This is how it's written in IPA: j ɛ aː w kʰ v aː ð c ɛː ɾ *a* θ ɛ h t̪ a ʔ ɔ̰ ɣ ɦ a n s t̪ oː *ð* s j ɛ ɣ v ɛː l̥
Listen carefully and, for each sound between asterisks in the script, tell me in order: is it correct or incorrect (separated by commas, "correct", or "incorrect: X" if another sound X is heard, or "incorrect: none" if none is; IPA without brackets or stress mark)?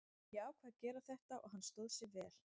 correct, correct